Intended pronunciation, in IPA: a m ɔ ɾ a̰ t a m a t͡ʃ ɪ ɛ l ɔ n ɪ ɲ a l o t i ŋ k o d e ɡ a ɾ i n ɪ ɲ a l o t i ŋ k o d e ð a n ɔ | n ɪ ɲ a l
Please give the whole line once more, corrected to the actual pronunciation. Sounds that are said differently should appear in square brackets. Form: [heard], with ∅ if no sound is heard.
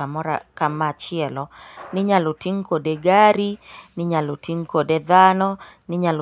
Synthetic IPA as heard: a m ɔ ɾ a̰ [k] a m a t͡ʃ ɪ ɛ l ɔ n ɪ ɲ a l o t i ŋ k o d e ɡ a ɾ i n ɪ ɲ a l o t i ŋ k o d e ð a n ɔ | n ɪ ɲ a l